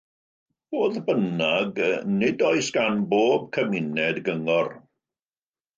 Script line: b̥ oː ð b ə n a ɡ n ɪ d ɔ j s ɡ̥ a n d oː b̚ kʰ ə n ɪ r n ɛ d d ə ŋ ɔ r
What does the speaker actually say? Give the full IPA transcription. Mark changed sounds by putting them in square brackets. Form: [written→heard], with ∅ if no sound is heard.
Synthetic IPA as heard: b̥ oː ð b ə n a ɡ n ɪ d ɔ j s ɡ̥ a n [d→b] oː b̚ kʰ ə [n→m] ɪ [r→∅] n ɛ d [d→ɡ] ə ŋ ɔ r